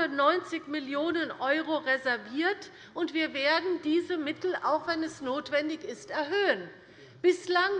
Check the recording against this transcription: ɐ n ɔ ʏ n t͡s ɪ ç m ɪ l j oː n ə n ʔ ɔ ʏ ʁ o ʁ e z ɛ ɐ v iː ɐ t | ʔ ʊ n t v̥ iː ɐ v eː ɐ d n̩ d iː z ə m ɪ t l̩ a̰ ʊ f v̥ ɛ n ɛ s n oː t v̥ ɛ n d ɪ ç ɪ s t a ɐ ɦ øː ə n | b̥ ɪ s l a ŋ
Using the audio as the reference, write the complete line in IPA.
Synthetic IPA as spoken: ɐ n ɔ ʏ n t͡s ɪ ç m ɪ l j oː n ə n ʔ ɔ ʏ ʁ o ʁ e z ɛ ɐ v iː ɐ t | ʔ ʊ n t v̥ iː ɐ v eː ɐ d n̩ d iː z ə m ɪ t l̩ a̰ ʊ x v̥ ɛ n ɛ s n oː t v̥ ɛ n d ɪ ç ɪ s t ɛ ɐ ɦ øː ə n | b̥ ɪ s l a ŋ

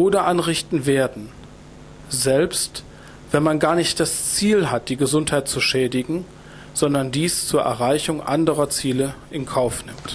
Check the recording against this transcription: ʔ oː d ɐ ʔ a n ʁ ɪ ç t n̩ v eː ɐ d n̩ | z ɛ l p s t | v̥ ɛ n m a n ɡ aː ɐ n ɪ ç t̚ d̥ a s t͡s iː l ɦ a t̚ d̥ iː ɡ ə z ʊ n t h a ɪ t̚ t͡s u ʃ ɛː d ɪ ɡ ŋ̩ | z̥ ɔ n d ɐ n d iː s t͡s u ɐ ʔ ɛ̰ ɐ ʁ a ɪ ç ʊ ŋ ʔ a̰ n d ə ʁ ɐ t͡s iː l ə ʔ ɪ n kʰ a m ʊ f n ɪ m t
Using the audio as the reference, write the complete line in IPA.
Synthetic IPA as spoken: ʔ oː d ɐ ʔ a n ʁ ɪ ç t n̩ v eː ɐ d n̩ | z ɛ l p s t | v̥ ɛ n m a n ɡ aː ɐ n ɪ ç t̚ d̥ a s t͡s iː l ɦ a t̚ d̥ iː ɡ ə z ʊ n t h a ɪ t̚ t͡s u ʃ ɛː d ɪ ɡ ŋ̩ | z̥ ɔ n d ɐ n d iː s t͡s uː ɐ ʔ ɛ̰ ɐ ʁ a ɪ ç ʊ ŋ ʔ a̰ n d ə ʁ ɐ t͡s iː l ə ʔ ɪ n kʰ a ʊ f n ɪ m t

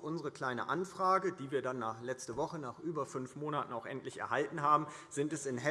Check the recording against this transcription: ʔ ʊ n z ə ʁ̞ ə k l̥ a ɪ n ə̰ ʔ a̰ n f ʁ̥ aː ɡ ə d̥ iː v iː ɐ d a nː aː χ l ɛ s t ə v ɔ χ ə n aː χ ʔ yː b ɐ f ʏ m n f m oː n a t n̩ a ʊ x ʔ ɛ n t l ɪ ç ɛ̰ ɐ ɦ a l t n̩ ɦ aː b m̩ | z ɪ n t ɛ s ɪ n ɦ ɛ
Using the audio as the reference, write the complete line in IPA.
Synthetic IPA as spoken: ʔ ʊ n z ə ʁ̞ ə k l̥ a ɪ n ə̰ ʔ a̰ n f ʁ̥ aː ɡ ə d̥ iː v iː ɐ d a nː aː χ l ɛ t͡s t ə v ɔ χ ə n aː χ ʔ yː b ɐ f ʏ n f m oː n a t n̩ a ʊ x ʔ ɛ n t l ɪ ç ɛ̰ ɐ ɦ a l t n̩ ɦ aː b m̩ | z ɪ n t ɛ s ɪ n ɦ ɛ

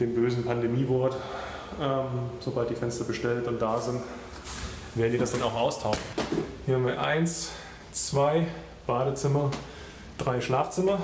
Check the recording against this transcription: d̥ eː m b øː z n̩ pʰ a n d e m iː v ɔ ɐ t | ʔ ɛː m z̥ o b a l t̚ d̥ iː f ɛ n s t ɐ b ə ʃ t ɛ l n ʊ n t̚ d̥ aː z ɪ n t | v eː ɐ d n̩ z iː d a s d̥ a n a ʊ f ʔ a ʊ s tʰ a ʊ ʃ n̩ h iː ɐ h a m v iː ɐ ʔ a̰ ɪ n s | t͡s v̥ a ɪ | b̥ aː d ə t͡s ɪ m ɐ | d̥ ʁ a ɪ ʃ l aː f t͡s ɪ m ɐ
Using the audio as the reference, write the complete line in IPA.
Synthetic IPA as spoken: d̥ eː m b øː z n̩ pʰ a n d e m iː v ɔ ɐ t | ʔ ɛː m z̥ o b a l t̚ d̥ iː f ɛ n s t ɐ b ə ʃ t ɛ l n ʊ n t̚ d̥ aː z ɪ n t | v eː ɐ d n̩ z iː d a s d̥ a n a ʊ x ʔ a ʊ s tʰ a ʊ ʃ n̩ h iː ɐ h a m v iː ɐ ʔ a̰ ɪ n s | t͡s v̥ a ɪ | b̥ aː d ə t͡s ɪ m ɐ | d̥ ʁ a ɪ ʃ l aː f t͡s ɪ m ɐ

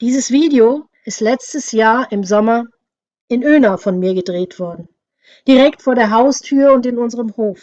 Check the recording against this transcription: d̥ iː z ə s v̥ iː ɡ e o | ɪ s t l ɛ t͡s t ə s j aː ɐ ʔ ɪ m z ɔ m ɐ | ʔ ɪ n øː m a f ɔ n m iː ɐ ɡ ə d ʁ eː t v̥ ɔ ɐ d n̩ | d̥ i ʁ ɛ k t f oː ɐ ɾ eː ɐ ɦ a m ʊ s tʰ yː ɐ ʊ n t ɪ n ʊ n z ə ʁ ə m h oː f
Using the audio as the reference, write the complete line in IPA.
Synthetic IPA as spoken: d̥ iː z ə s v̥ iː d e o | ɪ s t l ɛ t͡s t ə s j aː ɐ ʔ ɪ m z ɔ m ɐ | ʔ ɪ n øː n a f ɔ n m iː ɐ ɡ ə d ʁ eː t v̥ ɔ ɐ d n̩ | d̥ i ʁ ɛ k t f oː ɐ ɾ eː ɐ ɦ a ʊ s tʰ yː ɐ ʊ n t ɪ n ʊ n z ə ʁ ə m h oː f

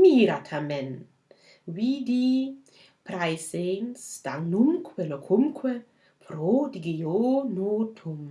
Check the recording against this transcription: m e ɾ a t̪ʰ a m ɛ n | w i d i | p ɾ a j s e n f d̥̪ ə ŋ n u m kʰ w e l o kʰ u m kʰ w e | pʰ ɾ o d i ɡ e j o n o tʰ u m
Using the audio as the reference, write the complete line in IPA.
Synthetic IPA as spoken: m i ɾ a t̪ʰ a m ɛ n | w i d i | p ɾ a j s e n s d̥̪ a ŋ n u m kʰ w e l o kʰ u m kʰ w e | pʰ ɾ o d i ɡ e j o n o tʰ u m

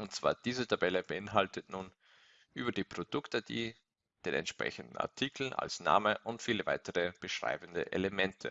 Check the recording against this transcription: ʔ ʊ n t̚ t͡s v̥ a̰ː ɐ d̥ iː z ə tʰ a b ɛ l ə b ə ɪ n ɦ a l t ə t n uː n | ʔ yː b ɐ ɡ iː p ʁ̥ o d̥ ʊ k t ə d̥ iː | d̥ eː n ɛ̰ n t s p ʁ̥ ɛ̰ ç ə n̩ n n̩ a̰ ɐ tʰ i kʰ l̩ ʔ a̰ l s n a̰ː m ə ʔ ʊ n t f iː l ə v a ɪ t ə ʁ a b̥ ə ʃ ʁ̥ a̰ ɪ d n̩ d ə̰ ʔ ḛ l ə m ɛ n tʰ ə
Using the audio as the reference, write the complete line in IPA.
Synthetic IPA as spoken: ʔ ʊ n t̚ t͡s v̥ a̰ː ɐ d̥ iː z ə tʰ a b ɛ l ə b ə ɪ n ɦ a l t ə t n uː n | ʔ yː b ɐ d iː p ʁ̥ o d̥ ʊ k t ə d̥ iː | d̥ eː n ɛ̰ n t ʃ p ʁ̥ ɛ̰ ç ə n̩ d n̩ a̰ ɐ tʰ i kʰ l̩ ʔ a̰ l s n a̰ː m ə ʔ ʊ n t f iː l ə v a ɪ t ə ʁ ə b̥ ə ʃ ʁ̥ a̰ ɪ b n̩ d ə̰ ʔ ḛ l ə m ɛ n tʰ ə

